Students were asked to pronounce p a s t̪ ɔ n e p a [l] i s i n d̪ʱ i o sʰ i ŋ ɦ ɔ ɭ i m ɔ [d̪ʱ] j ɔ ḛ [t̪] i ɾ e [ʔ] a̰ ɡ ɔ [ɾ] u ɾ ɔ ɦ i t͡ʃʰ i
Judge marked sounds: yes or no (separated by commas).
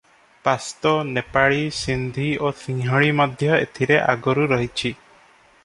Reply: no, yes, no, yes, yes